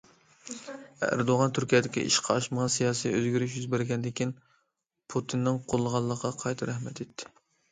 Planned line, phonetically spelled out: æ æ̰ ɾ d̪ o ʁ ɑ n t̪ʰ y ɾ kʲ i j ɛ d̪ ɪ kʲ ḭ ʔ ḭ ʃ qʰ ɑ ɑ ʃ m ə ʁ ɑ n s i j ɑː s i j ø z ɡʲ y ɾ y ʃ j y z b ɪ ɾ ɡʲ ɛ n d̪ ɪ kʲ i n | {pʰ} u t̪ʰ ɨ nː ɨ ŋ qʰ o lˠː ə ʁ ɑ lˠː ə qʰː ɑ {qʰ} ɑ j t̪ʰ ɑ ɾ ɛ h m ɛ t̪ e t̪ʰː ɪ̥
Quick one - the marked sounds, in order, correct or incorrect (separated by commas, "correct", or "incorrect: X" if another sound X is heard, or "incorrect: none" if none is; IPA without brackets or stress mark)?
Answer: correct, correct